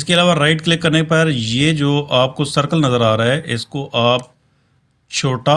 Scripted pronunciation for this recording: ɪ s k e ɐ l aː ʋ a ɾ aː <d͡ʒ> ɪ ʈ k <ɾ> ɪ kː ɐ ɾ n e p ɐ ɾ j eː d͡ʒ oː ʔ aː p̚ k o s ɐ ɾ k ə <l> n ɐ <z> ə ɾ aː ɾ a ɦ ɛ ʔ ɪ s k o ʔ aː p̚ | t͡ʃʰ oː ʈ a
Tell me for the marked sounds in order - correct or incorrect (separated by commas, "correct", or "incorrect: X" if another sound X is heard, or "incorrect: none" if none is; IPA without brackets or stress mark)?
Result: incorrect: none, incorrect: l, correct, correct